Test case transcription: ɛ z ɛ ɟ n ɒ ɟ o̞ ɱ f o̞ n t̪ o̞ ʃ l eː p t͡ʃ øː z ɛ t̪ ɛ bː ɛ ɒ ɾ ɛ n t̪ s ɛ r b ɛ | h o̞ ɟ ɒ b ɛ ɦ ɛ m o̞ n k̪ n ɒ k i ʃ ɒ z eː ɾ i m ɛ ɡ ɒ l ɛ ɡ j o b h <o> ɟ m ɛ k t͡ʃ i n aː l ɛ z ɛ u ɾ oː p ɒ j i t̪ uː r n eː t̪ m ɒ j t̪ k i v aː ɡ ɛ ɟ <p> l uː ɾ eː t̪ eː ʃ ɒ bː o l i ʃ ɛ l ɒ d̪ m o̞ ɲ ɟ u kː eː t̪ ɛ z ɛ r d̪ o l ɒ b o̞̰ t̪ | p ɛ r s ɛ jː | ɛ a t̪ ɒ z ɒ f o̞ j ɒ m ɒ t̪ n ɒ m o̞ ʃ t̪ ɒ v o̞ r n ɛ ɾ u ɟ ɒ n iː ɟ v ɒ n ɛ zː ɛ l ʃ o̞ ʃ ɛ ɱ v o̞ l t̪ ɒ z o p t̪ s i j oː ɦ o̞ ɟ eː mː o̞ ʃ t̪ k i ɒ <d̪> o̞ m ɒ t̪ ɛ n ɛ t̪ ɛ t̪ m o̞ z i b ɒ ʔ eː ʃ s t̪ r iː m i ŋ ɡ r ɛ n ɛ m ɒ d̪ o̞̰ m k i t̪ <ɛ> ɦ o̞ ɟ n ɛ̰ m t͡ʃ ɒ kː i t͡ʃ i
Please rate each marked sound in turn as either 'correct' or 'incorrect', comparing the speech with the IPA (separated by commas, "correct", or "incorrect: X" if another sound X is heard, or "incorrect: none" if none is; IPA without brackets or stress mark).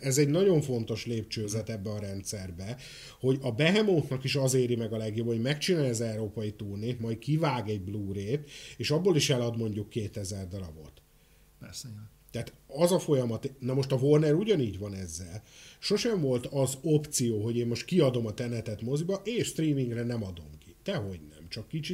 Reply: correct, incorrect: b, correct, correct